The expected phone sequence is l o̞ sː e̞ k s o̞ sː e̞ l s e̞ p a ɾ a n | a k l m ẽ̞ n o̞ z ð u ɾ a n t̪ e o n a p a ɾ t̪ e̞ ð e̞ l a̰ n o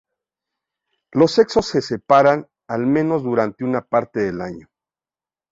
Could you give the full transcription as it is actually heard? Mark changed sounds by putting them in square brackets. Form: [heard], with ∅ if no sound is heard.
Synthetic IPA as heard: l o̞ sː e̞ k s o̞ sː e̞ [∅] s e̞ p a ɾ a n | a [∅] l m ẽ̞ n o̞ z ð u ɾ a n t̪ e [u] n a p a ɾ t̪ e̞ ð e̞ l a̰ [ɲ] o